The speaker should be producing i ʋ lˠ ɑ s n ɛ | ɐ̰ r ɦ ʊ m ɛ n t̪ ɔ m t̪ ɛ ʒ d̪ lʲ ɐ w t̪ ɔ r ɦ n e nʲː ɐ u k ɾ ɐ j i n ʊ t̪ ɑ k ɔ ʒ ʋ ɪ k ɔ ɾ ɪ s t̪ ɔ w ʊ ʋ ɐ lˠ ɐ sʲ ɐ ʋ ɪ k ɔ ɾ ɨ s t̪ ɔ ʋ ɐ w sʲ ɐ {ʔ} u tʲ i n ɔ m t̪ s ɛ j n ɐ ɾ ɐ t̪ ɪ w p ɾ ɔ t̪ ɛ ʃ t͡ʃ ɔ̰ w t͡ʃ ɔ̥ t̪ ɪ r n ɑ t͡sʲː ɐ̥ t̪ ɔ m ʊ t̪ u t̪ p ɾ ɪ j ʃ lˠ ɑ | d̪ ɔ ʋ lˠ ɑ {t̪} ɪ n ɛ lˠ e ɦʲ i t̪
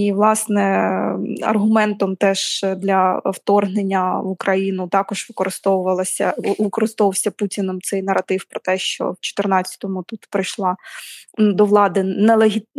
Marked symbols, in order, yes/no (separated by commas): no, no